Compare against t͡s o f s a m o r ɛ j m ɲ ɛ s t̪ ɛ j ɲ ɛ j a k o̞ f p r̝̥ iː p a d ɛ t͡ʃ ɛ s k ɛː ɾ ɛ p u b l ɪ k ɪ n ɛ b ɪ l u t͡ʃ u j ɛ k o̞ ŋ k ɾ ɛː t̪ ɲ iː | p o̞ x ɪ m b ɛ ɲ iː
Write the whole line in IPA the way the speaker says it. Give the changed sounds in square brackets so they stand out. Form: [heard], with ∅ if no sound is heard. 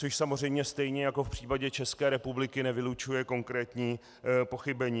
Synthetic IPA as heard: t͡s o [ʃ] s a m o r ɛ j m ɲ ɛ s t̪ ɛ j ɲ ɛ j a k o̞ f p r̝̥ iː p a [ɟ] ɛ t͡ʃ ɛ s k ɛː ɾ ɛ p u b l ɪ k ɪ n ɛ [v] ɪ l u t͡ʃ u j ɛ k o̞ ŋ k ɾ ɛː t̪ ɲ iː | p o̞ x ɪ [∅] b ɛ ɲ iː